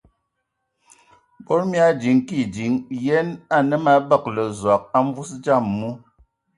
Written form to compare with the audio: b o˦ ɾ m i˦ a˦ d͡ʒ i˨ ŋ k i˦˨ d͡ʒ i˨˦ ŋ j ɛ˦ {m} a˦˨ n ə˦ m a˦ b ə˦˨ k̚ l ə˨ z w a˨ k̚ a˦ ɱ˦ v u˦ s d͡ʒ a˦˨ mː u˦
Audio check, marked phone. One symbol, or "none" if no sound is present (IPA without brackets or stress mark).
n